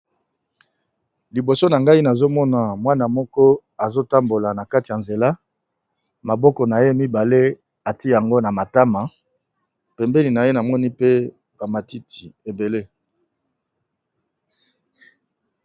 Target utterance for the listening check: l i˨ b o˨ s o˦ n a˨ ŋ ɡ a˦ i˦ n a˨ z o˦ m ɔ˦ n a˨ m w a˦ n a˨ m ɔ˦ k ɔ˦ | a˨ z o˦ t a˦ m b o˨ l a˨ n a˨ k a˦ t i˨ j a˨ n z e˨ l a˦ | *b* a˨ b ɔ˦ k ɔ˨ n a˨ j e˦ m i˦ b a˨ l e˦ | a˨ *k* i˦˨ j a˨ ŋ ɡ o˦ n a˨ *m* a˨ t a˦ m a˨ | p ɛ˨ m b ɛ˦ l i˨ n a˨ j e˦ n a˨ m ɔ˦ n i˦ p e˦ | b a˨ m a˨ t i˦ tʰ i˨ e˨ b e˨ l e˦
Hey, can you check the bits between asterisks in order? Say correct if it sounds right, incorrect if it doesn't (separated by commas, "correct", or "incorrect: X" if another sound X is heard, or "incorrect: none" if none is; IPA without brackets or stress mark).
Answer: incorrect: m, incorrect: t, correct